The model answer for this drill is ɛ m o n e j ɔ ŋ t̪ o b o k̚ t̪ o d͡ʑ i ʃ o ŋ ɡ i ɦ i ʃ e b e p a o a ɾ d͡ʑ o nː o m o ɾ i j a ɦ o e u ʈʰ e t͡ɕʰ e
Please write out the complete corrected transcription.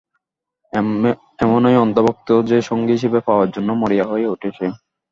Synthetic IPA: ɛ m o n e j ɔ n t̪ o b o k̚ t̪ o d͡ʑ e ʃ o ŋ ɡ i ɦ i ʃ e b e p a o a ɾ d͡ʑ o nː o m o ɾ i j a ɦ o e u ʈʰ e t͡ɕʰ e